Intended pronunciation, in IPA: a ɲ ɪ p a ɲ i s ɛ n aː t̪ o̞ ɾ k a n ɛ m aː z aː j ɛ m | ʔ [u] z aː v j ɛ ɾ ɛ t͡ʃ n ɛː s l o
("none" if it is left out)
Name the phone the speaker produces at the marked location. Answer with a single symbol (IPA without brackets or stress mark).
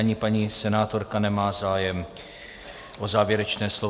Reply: o